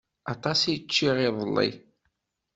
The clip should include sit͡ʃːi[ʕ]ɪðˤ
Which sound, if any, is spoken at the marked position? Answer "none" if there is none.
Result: ʁ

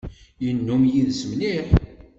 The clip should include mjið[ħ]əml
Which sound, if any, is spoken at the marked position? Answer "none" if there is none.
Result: s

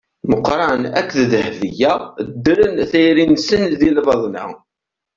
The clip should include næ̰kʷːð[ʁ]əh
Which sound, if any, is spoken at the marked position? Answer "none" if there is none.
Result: ð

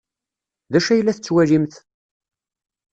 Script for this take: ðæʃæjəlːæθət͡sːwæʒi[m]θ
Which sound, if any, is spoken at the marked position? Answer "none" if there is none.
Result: m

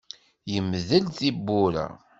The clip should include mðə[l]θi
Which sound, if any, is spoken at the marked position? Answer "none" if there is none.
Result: l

